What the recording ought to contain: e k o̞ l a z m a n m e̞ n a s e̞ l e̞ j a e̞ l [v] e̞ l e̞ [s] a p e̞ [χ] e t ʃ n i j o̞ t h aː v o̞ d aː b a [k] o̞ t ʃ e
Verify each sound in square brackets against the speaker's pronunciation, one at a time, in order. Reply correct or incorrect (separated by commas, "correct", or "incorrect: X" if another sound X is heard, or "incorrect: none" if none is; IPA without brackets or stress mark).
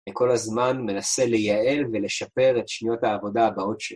correct, incorrect: ʃ, incorrect: ʁ, incorrect: none